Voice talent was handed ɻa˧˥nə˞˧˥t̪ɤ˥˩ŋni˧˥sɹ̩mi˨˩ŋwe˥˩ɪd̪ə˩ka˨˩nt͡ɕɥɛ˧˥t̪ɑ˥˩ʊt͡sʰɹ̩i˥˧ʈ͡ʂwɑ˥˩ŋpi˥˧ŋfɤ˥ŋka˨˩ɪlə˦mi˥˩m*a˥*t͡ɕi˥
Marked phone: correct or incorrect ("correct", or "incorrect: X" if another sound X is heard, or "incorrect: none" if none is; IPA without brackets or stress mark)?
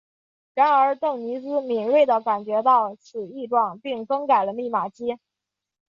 incorrect: a˨˩